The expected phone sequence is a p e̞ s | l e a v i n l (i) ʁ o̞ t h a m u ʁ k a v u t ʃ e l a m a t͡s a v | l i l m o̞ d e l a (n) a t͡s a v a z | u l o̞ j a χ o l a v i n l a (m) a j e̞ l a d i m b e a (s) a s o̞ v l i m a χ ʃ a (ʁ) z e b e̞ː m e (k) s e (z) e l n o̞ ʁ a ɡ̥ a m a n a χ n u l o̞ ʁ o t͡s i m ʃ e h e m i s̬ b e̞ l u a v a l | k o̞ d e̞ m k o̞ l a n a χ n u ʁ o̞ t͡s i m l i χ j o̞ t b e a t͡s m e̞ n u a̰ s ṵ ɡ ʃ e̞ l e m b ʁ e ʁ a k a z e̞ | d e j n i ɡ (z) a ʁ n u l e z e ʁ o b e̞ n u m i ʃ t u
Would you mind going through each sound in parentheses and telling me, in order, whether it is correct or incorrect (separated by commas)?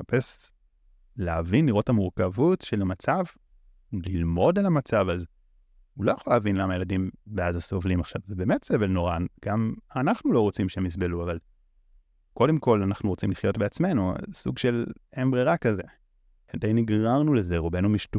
correct, incorrect, correct, incorrect, incorrect, incorrect, incorrect, incorrect